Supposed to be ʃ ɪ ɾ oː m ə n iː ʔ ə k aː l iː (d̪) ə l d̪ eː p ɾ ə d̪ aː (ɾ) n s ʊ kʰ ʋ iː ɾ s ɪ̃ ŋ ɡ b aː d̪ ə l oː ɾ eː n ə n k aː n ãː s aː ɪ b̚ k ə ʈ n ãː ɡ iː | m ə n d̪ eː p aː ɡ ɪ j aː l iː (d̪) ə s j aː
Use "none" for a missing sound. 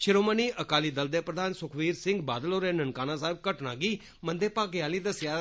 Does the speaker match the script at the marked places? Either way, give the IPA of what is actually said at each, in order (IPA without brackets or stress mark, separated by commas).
d̪, none, d̪